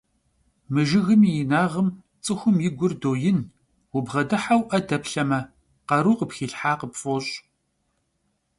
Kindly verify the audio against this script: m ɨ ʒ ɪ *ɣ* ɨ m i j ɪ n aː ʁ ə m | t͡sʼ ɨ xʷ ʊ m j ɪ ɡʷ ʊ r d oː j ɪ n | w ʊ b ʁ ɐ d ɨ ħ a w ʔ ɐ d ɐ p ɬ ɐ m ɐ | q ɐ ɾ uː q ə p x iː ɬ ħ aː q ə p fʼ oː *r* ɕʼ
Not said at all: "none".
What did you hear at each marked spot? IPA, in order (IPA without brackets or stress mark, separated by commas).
ɣ, none